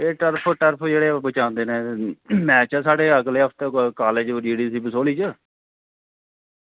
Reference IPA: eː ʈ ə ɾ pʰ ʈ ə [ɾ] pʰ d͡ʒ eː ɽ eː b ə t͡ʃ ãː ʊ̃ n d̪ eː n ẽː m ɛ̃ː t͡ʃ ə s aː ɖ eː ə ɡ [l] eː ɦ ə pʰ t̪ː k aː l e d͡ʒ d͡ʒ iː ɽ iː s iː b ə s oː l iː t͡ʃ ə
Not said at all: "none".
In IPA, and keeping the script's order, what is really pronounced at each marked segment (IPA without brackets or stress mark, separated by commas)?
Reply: ɾ, l